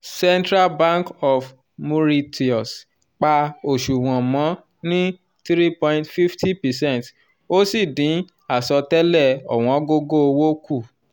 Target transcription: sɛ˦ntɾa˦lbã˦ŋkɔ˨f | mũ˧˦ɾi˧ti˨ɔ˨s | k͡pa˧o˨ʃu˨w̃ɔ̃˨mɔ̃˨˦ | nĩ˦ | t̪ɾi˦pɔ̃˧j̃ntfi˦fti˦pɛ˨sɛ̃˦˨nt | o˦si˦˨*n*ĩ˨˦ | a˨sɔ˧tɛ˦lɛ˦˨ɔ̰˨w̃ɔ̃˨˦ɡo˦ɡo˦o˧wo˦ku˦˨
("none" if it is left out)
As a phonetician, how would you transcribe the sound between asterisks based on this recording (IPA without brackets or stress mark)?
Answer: d